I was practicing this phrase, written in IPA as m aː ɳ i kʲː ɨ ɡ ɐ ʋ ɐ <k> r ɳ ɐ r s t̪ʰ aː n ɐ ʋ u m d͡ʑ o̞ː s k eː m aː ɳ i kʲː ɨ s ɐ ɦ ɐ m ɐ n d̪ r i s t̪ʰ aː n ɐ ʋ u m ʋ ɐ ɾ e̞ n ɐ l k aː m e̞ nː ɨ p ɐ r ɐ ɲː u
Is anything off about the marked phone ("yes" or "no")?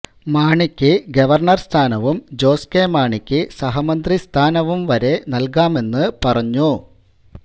yes